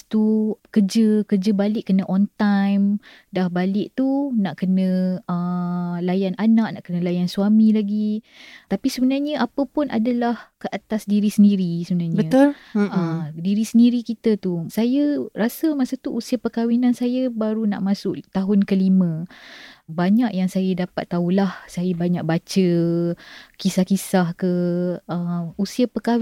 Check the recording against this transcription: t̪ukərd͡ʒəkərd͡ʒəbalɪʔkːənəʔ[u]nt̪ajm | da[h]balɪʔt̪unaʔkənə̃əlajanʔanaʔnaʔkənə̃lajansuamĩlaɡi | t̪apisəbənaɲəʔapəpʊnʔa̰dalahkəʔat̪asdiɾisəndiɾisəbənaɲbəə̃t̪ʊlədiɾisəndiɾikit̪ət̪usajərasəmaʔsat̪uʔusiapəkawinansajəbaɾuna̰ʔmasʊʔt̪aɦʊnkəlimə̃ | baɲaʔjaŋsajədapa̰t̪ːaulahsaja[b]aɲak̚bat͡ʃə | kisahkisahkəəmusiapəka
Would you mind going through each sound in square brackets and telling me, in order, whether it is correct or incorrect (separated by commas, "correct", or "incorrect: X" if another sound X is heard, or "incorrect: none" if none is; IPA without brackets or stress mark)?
incorrect: ɔ, correct, correct